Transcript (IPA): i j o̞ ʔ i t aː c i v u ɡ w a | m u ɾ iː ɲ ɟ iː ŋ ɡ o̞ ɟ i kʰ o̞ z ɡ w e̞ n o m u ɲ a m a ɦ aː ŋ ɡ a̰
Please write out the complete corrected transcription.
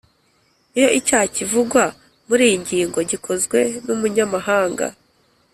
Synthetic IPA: i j o̞ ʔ i c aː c i v u ɡ w a | m u ɾ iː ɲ ɟ iː ŋ ɡ o̞ ɟ i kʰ o̞ z ɡ w e̞ n u m u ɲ a m a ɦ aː ŋ ɡ a̰